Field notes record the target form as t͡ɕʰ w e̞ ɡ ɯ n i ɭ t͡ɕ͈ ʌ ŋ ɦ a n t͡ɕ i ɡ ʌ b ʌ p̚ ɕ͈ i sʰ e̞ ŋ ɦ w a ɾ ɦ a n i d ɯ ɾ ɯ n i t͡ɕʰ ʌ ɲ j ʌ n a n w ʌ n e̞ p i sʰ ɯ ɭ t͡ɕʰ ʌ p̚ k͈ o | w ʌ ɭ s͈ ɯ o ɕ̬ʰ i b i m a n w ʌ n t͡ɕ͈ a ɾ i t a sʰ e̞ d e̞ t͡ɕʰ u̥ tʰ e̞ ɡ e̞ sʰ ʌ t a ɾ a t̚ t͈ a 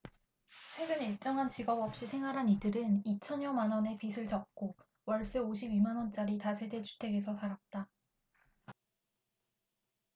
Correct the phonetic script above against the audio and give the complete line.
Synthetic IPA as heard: t͡ɕʰ w e̞ ɡ ɯ n i ɭ t͡ɕ͈ ʌ ŋ ɦ a n t͡ɕ i ɡ ʌ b ʌ p̚ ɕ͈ i sʰ e̞ ŋ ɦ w a ɾ ɦ a n i d ɯ ɾ ɯ n i t͡ɕʰ ʌ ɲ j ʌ m a n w ʌ n e̞ p i sʰ ɯ ɭ t͡ɕ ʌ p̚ k͈ o | w ʌ ɭ s͈ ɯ o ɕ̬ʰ i b i m a n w ʌ n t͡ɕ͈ a ɾ i t a sʰ e̞ d e̞ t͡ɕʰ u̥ tʰ e̞ ɡ e̞ sʰ ʌ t a ɾ a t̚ t͈ a